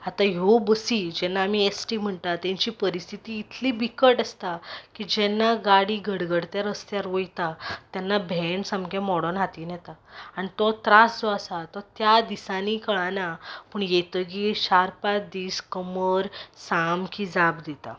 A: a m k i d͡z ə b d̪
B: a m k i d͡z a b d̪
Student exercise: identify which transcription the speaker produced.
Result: B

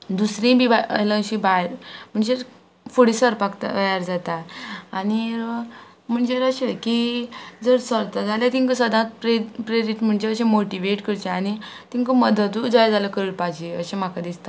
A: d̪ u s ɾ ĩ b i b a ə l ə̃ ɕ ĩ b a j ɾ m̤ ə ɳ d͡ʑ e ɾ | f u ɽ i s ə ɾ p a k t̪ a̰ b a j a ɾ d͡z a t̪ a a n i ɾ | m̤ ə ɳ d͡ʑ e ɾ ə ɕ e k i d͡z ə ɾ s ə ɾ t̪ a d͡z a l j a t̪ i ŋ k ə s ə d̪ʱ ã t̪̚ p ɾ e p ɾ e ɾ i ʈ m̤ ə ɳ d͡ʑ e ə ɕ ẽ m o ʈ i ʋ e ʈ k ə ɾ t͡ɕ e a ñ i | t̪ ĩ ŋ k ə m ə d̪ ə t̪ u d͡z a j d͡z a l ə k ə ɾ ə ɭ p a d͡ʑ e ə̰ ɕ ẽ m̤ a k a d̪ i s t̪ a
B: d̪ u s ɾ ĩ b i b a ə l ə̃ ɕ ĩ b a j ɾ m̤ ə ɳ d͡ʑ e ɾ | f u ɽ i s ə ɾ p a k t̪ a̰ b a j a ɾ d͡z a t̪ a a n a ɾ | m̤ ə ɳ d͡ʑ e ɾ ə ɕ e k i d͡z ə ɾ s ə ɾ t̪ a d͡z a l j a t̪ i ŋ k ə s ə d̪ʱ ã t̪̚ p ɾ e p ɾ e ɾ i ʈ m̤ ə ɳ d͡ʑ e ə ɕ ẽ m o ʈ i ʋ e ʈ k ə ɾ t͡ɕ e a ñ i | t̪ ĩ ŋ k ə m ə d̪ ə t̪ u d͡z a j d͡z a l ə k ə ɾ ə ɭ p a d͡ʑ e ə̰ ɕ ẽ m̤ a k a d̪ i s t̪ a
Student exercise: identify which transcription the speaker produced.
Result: A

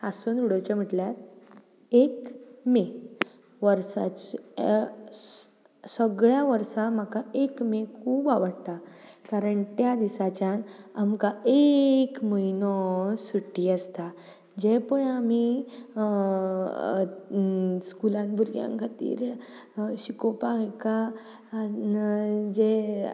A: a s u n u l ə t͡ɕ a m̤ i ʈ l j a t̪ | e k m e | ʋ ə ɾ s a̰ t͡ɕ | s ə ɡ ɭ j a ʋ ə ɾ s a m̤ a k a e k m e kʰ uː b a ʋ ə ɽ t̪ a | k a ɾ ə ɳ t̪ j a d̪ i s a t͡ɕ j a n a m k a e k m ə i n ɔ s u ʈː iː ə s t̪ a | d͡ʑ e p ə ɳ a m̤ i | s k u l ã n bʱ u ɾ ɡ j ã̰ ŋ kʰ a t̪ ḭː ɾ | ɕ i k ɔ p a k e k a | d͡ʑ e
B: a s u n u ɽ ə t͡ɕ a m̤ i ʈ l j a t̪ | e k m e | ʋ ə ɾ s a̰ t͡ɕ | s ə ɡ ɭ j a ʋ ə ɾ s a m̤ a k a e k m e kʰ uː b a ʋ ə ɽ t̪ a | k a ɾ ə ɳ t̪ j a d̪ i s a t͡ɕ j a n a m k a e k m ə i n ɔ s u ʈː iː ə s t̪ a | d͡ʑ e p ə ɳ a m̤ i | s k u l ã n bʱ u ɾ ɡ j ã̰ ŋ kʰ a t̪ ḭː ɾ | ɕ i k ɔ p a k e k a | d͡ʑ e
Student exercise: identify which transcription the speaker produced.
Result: B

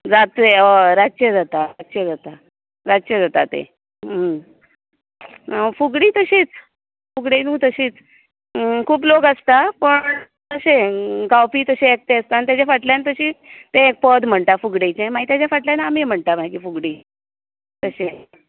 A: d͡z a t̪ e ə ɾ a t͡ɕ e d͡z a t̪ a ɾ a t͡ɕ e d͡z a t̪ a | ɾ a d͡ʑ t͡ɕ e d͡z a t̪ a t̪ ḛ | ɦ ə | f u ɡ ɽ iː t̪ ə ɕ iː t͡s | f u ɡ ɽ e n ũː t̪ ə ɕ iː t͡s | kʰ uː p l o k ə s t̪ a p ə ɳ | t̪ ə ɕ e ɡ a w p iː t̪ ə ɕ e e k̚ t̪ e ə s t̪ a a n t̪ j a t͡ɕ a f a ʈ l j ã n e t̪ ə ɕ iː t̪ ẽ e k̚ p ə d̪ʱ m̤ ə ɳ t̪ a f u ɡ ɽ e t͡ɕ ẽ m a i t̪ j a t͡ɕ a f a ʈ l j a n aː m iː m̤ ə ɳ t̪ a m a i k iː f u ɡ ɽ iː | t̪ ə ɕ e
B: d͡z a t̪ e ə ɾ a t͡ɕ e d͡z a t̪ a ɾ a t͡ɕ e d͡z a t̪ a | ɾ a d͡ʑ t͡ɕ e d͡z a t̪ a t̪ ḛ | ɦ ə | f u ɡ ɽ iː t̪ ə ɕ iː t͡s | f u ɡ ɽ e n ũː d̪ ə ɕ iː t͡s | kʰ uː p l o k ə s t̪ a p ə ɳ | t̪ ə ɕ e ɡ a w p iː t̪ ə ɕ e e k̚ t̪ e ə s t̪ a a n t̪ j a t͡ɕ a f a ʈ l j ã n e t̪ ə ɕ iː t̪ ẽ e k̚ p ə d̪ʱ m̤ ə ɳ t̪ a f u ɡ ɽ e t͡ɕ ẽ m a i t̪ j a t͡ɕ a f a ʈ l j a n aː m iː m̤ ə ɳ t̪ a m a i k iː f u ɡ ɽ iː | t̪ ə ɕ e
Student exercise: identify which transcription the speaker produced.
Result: A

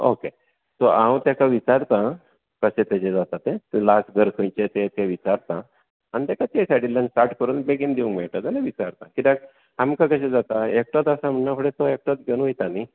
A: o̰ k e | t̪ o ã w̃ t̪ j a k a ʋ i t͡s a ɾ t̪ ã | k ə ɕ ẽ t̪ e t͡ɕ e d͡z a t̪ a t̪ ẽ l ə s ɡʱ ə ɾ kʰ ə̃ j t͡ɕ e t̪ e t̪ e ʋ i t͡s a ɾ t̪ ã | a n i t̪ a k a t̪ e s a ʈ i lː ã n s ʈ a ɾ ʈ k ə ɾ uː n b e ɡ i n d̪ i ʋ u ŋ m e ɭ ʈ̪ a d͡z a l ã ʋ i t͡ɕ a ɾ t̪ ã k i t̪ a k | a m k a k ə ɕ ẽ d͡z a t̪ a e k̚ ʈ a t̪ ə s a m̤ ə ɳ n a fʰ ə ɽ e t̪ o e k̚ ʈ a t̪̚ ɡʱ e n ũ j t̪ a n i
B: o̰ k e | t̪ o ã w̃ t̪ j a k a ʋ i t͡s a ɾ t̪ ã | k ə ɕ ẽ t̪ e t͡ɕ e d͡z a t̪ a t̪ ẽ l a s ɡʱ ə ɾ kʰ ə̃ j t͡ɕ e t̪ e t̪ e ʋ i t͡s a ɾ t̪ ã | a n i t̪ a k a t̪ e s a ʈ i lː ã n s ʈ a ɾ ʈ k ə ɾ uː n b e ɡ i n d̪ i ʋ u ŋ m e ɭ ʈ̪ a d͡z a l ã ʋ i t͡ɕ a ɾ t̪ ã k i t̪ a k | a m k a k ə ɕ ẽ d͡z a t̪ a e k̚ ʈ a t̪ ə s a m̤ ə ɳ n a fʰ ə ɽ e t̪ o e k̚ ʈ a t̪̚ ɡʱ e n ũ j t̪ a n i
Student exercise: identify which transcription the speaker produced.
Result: B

